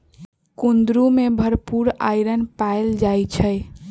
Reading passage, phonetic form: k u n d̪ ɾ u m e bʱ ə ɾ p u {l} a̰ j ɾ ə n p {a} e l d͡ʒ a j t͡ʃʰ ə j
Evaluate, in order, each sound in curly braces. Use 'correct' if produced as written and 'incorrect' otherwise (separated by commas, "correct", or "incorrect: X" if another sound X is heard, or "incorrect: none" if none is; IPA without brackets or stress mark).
incorrect: ɾ, correct